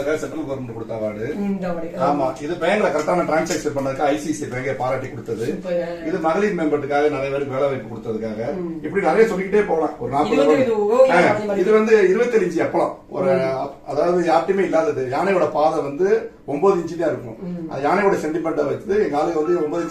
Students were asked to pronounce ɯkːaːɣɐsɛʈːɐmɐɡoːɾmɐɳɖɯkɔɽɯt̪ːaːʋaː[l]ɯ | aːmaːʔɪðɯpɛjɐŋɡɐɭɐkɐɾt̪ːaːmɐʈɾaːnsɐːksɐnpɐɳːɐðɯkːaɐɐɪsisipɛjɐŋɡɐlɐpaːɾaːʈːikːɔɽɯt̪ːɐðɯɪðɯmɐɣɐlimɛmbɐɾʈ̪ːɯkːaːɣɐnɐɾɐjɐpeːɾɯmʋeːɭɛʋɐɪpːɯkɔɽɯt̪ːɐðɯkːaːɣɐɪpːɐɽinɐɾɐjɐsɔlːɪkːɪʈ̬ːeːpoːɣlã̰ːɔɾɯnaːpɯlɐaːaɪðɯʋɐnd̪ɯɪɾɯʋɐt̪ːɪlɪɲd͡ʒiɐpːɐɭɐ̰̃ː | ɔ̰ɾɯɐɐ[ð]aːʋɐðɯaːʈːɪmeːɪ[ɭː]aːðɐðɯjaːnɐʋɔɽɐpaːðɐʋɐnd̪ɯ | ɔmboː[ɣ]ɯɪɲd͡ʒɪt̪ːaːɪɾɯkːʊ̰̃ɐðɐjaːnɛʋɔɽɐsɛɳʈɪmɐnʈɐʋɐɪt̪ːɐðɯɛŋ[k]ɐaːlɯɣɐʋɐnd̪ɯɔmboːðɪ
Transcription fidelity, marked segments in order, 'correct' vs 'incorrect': incorrect: ɽ, correct, incorrect: lː, incorrect: ð, incorrect: ɡ

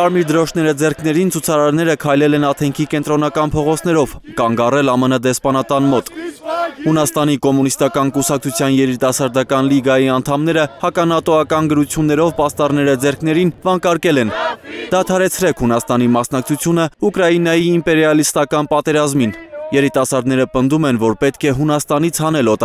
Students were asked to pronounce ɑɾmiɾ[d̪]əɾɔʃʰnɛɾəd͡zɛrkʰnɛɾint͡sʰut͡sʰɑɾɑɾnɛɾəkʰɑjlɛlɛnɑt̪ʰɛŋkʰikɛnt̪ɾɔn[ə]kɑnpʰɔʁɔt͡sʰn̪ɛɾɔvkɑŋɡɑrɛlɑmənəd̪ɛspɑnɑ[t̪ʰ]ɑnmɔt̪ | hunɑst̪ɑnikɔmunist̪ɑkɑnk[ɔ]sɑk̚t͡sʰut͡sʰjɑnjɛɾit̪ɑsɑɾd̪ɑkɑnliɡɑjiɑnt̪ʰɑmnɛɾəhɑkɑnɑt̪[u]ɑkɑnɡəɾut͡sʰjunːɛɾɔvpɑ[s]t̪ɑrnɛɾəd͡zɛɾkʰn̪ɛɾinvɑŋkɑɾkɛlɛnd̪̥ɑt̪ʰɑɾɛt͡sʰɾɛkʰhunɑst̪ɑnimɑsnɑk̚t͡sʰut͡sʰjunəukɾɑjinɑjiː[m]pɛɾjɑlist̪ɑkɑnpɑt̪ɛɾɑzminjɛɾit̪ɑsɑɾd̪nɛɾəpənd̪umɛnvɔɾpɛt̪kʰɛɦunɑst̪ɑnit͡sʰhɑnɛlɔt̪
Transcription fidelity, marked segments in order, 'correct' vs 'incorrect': correct, incorrect: ɑ, incorrect: t̪, incorrect: u, incorrect: ɔ, correct, correct

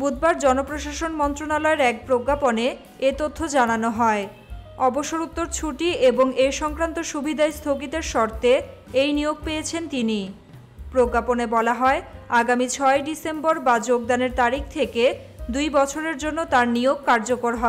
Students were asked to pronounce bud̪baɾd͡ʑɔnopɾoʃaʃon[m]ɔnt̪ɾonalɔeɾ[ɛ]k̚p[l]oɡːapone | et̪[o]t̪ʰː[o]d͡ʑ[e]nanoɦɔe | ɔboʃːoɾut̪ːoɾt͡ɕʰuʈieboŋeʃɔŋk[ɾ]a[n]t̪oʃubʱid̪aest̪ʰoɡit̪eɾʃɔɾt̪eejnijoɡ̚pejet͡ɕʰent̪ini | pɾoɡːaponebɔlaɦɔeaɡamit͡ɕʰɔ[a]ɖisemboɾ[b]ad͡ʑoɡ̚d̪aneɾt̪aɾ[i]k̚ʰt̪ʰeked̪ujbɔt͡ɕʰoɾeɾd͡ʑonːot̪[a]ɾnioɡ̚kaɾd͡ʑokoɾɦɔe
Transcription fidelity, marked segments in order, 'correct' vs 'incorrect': correct, correct, incorrect: ɾ, correct, correct, incorrect: a, correct, correct, incorrect: e, correct, correct, correct

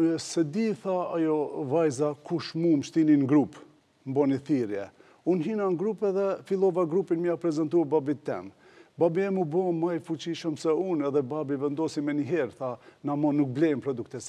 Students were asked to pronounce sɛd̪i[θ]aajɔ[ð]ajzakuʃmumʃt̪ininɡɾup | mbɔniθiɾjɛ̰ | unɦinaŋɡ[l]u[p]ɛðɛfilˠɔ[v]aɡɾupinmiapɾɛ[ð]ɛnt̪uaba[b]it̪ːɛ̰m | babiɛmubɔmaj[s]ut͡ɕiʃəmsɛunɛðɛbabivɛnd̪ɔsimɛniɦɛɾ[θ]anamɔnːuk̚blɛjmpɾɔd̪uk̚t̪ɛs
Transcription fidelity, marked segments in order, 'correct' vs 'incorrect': correct, incorrect: v, incorrect: ɾ, correct, correct, incorrect: z, correct, incorrect: f, correct

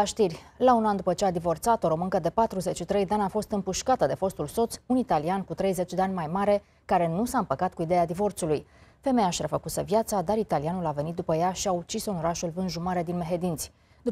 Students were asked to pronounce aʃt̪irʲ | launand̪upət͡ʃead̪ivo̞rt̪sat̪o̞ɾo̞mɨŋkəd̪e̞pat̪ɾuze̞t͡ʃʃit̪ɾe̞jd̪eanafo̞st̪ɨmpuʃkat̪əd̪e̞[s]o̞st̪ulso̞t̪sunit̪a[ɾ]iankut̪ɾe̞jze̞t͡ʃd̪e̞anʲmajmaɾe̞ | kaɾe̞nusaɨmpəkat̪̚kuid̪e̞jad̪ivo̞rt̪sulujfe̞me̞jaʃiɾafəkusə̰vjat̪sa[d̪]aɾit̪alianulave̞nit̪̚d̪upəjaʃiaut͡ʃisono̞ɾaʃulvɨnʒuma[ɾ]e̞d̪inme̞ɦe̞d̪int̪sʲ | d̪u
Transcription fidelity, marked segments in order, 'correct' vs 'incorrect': incorrect: f, incorrect: l, correct, correct

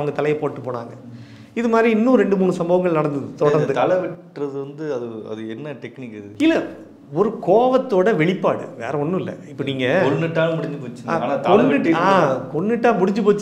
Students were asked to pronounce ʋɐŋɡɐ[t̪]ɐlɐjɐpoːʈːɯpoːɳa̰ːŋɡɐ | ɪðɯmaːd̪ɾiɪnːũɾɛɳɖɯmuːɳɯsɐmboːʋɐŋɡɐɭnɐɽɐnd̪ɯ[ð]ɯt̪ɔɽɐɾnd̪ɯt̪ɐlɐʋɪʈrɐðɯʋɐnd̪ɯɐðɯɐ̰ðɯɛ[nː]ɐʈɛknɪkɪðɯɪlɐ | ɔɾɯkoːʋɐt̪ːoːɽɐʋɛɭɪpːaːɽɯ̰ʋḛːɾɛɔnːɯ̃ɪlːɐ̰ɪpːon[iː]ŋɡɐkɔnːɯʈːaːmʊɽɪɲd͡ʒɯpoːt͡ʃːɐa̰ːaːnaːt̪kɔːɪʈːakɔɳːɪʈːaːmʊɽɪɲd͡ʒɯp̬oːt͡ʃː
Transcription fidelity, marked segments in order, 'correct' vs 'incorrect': correct, correct, correct, correct

